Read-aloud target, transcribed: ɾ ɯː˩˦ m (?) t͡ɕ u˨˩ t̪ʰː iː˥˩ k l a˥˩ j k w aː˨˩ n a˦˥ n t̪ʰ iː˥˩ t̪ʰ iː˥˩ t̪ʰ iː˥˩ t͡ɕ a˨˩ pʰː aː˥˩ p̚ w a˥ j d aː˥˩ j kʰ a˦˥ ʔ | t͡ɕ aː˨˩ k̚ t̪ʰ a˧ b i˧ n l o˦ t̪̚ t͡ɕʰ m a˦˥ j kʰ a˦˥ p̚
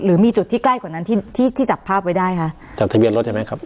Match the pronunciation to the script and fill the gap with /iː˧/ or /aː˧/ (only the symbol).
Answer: iː˧